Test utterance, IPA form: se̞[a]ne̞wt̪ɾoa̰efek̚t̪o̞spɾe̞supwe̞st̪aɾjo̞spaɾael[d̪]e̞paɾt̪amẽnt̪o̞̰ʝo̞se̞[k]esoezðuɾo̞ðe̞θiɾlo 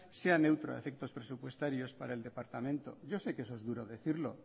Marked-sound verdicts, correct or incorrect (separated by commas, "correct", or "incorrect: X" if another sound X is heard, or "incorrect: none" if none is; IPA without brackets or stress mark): correct, correct, correct